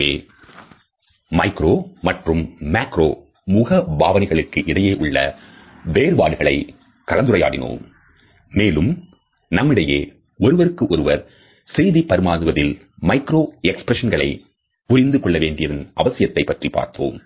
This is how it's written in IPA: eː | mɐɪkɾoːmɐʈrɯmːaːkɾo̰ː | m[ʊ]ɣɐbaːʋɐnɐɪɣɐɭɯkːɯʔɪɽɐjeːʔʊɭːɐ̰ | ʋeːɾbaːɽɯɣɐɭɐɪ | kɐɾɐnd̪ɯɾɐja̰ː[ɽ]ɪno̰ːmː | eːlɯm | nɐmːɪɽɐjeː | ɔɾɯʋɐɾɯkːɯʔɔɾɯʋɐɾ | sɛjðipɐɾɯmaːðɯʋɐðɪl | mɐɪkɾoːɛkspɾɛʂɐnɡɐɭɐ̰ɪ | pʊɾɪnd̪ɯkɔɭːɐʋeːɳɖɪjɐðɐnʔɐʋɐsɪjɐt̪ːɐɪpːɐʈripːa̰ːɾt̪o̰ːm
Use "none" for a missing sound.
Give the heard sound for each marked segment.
ʊ, ɽ

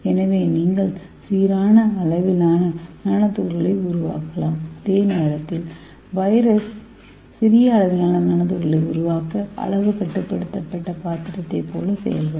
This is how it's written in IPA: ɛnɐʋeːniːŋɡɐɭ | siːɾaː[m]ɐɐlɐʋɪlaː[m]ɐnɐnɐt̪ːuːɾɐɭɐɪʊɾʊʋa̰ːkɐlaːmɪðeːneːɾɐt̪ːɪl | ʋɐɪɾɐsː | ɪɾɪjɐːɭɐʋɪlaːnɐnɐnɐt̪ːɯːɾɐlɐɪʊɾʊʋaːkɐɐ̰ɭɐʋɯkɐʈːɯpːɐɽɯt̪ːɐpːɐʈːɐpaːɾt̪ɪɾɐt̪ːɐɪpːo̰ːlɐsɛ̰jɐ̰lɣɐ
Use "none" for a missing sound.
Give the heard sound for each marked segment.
n, n

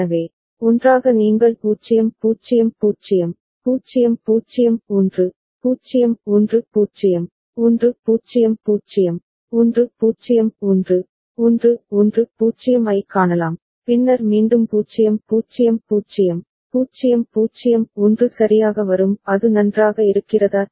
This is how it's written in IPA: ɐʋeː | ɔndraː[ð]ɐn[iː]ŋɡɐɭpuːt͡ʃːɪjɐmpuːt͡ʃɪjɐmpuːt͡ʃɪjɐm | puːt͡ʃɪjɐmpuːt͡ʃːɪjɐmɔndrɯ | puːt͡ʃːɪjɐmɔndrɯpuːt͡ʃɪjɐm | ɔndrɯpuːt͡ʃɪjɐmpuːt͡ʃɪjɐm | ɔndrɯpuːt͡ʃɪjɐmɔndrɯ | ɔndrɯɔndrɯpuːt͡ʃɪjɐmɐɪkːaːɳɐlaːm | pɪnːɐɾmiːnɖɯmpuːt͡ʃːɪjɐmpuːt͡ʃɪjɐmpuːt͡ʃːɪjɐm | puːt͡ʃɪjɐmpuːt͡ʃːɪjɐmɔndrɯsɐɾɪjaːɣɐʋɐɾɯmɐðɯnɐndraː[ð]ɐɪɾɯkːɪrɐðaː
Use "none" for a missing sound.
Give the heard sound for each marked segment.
ɣ, iː, ɣ

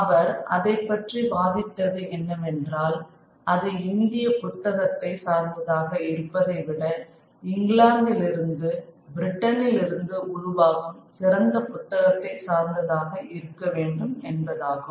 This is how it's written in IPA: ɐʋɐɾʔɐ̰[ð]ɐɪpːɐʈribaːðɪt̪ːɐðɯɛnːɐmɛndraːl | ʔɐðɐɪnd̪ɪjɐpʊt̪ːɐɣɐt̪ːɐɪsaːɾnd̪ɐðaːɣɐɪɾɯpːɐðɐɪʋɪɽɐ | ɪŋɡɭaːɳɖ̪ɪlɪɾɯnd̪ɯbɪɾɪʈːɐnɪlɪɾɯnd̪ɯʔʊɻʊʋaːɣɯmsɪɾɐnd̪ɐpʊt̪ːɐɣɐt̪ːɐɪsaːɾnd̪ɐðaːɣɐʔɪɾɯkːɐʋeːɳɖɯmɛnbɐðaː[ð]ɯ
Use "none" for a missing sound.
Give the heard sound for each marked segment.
ð, ɣ

